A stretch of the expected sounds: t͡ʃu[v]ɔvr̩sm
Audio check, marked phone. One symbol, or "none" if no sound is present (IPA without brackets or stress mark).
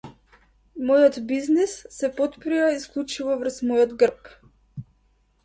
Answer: v